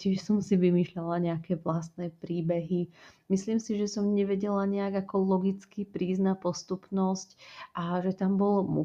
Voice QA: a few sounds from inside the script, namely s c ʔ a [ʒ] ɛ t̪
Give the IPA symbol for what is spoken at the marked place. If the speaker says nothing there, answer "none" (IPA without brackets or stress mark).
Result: ʒ